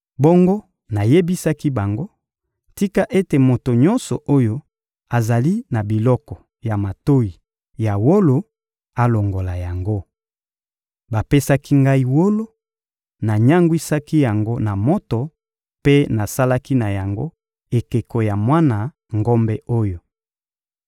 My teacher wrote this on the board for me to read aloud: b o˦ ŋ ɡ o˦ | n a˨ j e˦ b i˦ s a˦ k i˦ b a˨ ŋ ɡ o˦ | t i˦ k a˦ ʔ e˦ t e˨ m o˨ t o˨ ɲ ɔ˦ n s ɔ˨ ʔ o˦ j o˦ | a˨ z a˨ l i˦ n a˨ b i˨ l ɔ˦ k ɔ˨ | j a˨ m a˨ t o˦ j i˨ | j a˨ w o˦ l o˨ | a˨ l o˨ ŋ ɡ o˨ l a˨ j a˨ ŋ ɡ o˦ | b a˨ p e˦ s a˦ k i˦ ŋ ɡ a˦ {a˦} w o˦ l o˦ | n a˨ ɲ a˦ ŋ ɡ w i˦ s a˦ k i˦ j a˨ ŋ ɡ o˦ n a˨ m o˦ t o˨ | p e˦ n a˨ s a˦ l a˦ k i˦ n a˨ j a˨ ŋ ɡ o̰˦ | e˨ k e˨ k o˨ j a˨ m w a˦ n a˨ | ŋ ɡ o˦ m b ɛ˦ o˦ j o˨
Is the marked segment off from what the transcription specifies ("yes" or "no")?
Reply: yes